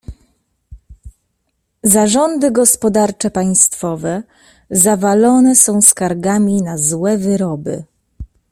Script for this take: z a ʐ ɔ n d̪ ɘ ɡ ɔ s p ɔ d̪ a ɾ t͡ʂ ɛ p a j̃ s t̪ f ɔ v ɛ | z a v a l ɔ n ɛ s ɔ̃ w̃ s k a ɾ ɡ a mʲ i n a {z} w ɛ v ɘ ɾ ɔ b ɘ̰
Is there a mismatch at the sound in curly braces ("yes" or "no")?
no